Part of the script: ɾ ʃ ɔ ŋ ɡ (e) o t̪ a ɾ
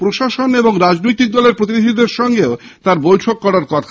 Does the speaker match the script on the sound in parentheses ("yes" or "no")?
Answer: yes